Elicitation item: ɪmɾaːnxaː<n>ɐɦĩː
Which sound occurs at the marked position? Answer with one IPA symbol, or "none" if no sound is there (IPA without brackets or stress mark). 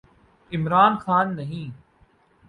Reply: nː